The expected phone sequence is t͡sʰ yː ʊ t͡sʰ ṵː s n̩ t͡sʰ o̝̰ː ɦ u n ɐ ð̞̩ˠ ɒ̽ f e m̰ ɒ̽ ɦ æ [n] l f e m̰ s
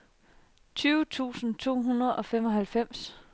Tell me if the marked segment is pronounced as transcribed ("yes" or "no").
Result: no